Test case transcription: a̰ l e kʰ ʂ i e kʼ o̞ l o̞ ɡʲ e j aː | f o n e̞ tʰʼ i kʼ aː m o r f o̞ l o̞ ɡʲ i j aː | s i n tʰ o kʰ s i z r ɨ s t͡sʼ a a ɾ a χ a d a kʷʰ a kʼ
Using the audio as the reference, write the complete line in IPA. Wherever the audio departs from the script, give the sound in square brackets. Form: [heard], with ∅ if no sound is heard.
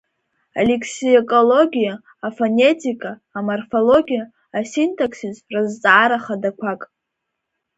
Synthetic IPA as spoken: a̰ l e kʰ [s] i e kʼ o̞ l o̞ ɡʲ [i] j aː | f o n e̞ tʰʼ i kʼ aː m o r f o̞ l o̞ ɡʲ i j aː | s i n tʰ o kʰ s i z r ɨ [z] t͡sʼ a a ɾ a χ a d a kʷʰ a kʼ